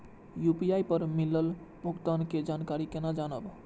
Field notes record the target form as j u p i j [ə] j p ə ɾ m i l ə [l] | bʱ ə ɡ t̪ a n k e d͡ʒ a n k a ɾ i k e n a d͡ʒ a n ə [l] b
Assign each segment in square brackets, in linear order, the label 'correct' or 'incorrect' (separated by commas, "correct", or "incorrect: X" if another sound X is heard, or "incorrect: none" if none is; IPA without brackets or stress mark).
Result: incorrect: a, correct, incorrect: none